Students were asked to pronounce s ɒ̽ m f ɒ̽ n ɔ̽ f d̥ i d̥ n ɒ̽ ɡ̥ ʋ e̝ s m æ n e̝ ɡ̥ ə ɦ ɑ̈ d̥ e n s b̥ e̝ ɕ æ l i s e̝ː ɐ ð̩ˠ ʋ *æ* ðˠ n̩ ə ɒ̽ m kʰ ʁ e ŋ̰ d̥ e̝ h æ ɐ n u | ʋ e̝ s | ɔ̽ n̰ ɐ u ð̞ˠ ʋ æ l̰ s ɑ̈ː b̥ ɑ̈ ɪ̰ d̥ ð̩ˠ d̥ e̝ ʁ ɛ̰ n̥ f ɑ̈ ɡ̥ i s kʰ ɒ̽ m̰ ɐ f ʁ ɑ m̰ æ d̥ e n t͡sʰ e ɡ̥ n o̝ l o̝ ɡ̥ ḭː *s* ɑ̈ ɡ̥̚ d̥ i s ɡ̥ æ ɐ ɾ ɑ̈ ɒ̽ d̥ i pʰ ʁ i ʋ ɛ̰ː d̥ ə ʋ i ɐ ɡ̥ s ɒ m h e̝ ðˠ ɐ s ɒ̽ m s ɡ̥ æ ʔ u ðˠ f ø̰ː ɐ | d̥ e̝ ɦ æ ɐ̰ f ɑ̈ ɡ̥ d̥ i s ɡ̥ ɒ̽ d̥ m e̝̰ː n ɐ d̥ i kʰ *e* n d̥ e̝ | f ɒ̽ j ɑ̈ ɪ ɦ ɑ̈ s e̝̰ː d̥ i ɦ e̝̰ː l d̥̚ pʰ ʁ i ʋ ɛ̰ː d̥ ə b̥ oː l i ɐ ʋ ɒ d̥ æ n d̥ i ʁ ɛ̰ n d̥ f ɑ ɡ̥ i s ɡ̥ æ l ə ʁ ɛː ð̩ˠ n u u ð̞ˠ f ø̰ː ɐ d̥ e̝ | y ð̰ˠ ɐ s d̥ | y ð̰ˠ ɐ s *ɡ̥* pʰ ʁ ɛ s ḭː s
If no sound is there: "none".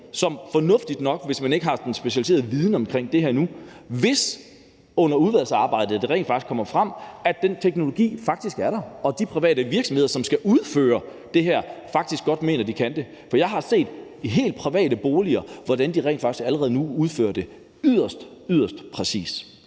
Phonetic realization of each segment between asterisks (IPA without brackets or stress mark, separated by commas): i, f, æ, d̥